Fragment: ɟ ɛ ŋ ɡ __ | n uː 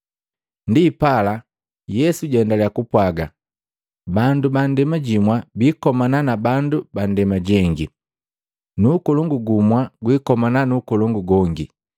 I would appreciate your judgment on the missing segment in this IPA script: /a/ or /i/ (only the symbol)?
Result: i